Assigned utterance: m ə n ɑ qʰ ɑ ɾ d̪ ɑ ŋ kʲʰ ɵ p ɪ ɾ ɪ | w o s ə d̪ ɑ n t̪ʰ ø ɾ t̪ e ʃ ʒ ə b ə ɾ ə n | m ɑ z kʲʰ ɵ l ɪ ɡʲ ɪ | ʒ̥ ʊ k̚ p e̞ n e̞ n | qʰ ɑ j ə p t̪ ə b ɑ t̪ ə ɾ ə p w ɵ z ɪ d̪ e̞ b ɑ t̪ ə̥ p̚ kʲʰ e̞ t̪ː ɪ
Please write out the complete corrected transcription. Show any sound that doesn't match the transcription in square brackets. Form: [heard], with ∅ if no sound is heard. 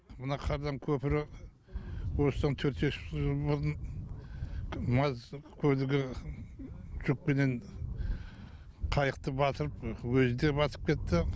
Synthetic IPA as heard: m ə n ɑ qʰ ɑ ɾ d̪ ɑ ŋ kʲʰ ɵ p ɪ ɾ ɪ | w o s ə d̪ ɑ n t̪ʰ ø ɾ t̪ e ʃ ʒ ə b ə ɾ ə n | m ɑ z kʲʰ ɵ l ɪ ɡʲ ɪ | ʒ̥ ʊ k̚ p e̞ n e̞ n | qʰ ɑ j ə [q] t̪ ə b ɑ t̪ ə ɾ ə p w ɵ z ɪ d̪ e̞ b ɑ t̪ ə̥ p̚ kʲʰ e̞ t̪ː ɪ